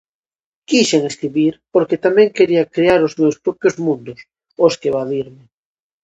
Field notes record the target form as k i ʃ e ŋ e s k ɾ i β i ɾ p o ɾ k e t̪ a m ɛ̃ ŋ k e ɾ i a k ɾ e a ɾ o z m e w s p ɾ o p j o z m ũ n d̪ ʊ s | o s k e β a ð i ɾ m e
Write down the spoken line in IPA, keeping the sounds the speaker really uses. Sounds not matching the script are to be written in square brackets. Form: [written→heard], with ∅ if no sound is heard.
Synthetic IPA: k i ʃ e ŋ e s k ɾ i β i ɾ p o ɾ k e t̪ a m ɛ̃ ŋ k e ɾ i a k ɾ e a ɾ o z m e w s p ɾ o p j o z m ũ n d̪ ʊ s | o s k e β a ð i ɾ m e